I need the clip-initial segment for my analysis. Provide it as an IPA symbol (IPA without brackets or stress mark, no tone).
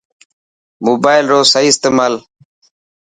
m